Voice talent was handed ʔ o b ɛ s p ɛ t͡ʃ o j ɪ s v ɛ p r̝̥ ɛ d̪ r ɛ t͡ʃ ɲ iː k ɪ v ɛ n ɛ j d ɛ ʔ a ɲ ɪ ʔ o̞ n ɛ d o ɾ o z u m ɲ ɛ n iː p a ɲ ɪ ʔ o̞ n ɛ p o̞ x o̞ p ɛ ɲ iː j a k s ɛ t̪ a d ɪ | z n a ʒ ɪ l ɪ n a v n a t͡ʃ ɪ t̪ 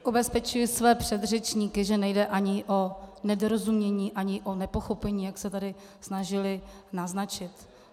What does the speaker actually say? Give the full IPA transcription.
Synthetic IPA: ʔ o b ɛ s p ɛ t͡ʃ u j ɪ s v ɛː p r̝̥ ɛ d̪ r ɛ t͡ʃ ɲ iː k ɪ ʒ ɛ n ɛ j d ɛ ʔ a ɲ ɪ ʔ o̞ n ɛ d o ɾ o z u m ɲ ɛ ɲ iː ʔ a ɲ ɪ ʔ o̞ n ɛ p o̞ x o̞ p ɛ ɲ iː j a k s ɛ t̪ a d ɪ | s n a ʒ ɪ l ɪ n a z n a t͡ʃ ɪ t̪